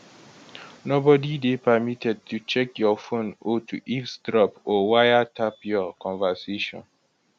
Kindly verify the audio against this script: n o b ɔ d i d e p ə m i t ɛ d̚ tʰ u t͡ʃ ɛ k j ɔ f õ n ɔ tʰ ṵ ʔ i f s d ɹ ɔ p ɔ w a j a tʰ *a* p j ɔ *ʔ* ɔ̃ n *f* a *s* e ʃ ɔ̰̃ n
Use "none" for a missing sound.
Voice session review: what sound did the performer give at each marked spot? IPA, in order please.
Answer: a, k, v, s

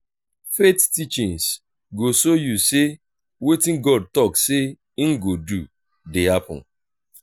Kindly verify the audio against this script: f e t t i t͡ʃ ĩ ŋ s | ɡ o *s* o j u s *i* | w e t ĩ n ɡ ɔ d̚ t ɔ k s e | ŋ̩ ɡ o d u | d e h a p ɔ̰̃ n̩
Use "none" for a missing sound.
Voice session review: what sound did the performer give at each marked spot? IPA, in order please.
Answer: s, e

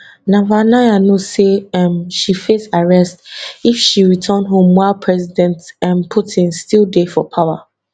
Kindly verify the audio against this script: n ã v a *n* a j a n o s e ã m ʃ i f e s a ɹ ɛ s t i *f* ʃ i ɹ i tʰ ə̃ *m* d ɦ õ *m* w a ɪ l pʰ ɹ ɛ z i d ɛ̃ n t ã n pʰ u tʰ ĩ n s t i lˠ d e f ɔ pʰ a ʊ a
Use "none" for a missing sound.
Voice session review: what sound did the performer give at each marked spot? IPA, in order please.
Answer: n, f, n, m

